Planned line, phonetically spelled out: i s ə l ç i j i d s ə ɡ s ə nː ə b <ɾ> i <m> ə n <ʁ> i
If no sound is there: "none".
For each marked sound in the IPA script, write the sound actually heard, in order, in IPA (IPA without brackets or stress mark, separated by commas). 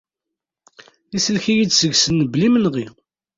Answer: l, m, ʁ